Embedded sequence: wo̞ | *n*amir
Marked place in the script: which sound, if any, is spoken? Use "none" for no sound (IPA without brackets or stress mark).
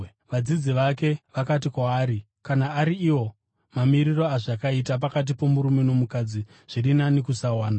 m